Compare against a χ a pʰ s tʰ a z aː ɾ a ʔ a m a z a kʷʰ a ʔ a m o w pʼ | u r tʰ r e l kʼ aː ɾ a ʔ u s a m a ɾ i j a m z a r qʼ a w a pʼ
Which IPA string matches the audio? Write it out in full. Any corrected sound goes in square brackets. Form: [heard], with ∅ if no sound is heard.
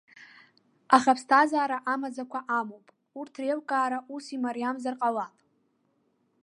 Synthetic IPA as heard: a χ a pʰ s tʰ a z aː ɾ a ʔ a m a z a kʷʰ a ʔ a m o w pʼ | u r tʰ r e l kʼ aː ɾ a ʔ u s [i] m a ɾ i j a m z a r qʼ a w a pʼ